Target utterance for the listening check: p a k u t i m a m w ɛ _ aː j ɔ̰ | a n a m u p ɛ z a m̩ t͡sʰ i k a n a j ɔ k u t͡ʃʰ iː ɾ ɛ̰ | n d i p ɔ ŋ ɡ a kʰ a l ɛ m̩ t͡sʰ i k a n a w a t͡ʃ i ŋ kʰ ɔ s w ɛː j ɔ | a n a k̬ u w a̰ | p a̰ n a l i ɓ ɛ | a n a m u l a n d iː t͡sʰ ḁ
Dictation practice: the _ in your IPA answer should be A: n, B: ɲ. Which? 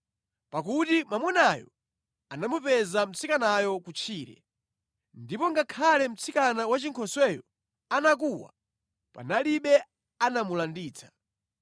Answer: A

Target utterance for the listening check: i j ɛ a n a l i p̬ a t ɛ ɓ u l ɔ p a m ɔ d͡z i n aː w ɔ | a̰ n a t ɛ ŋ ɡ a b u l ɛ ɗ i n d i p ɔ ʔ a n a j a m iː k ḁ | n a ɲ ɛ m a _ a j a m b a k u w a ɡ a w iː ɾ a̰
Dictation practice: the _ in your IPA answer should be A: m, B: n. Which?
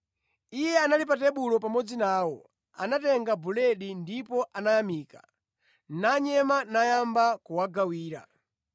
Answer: B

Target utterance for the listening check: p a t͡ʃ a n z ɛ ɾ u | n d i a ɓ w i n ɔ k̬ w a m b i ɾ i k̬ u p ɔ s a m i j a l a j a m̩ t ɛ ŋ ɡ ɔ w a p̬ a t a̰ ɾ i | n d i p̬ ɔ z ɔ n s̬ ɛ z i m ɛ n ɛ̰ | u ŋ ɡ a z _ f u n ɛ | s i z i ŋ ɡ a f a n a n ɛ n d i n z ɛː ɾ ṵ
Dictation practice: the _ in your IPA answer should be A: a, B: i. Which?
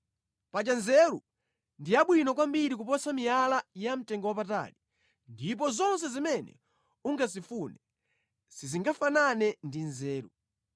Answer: B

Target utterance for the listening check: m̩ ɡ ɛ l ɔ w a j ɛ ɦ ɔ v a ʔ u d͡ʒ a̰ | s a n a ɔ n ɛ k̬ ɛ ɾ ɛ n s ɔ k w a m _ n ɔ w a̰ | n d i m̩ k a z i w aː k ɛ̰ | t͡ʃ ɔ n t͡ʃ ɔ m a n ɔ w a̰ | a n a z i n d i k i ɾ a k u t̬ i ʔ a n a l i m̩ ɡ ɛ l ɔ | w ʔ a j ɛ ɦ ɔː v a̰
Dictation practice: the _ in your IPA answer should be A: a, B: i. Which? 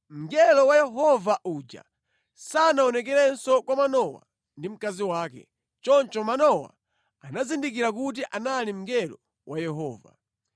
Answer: A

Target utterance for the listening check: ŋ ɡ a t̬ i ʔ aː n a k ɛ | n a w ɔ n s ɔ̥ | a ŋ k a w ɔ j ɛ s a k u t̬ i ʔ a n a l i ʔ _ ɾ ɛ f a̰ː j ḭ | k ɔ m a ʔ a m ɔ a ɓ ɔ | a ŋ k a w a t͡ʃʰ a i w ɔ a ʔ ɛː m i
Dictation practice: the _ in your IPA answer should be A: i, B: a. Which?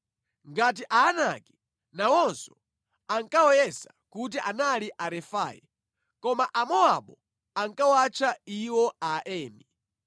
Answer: B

